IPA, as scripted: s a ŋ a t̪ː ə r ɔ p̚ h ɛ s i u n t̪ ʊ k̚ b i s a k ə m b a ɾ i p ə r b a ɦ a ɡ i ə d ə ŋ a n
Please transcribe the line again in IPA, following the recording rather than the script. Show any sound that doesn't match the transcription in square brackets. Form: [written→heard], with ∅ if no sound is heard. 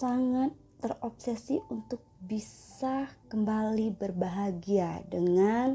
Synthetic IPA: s a ŋ a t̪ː ə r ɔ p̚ [h→s] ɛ s i u n t̪ ʊ k̚ b i s a k ə m b a [ɾ→l] i [p→b] ə r b a ɦ a ɡ i [ə→a] d ə ŋ a n